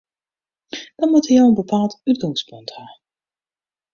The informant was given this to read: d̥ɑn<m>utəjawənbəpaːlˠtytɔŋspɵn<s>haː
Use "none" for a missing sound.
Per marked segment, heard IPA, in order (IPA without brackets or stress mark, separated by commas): m, t